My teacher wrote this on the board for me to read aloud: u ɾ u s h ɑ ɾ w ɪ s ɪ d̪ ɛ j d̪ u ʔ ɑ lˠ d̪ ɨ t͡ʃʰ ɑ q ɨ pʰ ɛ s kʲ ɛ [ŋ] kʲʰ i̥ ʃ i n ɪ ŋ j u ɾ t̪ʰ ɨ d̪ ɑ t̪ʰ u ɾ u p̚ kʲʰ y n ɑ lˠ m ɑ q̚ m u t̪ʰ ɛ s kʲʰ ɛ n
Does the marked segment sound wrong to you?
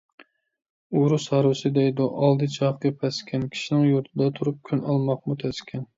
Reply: yes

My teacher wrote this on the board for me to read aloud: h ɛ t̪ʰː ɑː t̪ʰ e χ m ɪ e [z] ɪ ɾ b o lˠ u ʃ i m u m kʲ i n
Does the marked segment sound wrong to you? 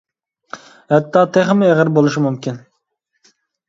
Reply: yes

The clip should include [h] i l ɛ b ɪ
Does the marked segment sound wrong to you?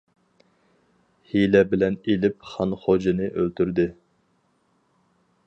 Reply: no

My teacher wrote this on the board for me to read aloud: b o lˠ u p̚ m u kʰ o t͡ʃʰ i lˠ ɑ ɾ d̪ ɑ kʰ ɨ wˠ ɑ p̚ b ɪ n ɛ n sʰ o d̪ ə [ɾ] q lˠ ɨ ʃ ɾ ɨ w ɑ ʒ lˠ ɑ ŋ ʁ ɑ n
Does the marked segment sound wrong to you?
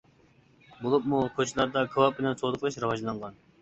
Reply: yes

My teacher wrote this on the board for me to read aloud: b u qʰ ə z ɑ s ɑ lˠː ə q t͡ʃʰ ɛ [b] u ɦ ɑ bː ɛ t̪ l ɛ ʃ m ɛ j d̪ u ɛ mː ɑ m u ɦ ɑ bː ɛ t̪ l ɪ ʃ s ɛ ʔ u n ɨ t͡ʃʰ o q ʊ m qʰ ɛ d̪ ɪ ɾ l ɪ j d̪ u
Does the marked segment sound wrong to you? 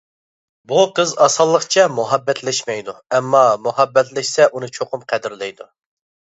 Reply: yes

